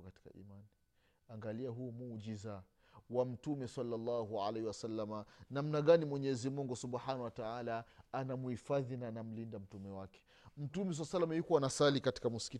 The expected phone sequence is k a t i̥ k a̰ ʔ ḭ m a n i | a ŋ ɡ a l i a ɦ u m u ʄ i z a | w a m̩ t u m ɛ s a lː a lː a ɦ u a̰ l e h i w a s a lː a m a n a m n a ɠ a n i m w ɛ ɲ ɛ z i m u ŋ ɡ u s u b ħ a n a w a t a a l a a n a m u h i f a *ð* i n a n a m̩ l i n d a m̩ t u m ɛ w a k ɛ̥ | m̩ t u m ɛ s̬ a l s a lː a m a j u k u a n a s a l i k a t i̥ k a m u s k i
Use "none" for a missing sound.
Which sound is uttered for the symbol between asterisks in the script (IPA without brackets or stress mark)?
ð